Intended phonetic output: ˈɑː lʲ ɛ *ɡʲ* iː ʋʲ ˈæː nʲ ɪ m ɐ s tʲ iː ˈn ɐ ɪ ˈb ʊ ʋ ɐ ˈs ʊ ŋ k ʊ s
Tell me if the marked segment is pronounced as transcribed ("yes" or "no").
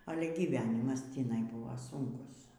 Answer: yes